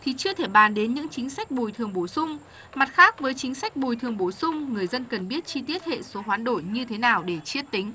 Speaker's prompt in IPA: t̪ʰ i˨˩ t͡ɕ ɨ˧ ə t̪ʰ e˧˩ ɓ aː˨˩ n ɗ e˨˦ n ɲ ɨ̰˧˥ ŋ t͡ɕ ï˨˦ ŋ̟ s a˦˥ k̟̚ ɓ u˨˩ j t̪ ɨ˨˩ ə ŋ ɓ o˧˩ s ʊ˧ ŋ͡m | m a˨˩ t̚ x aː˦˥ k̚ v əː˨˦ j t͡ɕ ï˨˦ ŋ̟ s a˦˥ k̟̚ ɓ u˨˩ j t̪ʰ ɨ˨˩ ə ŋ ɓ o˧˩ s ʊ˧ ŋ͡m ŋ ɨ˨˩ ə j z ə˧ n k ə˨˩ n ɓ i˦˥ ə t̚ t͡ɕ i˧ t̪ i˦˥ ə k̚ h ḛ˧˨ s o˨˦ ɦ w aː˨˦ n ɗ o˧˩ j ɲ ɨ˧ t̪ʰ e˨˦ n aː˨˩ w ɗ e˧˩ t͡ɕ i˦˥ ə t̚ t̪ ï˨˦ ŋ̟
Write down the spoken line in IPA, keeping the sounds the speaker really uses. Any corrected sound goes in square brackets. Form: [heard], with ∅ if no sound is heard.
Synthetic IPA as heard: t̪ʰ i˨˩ t͡ɕ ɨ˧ ə t̪ʰ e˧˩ ɓ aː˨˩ n ɗ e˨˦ n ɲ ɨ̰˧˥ ŋ t͡ɕ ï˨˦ ŋ̟ s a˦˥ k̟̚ ɓ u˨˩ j [t̪ʰ] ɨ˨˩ ə ŋ ɓ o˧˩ s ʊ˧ ŋ͡m | m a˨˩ t̚ x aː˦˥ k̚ v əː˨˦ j t͡ɕ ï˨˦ ŋ̟ s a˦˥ k̟̚ ɓ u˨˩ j t̪ʰ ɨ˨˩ ə ŋ ɓ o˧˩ s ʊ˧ ŋ͡m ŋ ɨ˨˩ ə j z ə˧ n k ə˨˩ n ɓ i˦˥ ə t̚ t͡ɕ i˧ t̪ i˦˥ ə [t̚] h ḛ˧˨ s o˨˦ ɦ w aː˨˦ n ɗ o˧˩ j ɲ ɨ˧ t̪ʰ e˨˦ n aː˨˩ w ɗ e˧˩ t͡ɕ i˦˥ ə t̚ t̪ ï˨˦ ŋ̟